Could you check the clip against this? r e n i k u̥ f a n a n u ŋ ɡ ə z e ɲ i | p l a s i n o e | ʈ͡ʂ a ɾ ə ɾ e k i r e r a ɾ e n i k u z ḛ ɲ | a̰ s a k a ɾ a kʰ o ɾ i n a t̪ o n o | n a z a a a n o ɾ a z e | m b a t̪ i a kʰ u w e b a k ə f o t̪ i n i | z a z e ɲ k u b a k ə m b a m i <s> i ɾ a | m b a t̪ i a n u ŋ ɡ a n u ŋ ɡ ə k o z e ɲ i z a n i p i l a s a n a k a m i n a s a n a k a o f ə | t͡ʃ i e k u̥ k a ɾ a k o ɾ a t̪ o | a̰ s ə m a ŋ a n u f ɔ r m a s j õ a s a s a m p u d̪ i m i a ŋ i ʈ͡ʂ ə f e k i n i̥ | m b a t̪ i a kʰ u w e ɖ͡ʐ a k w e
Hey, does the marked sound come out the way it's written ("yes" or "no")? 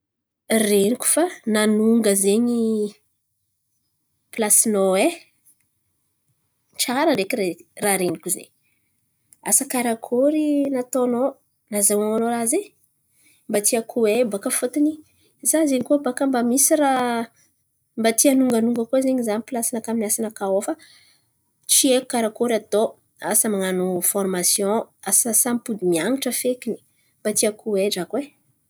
yes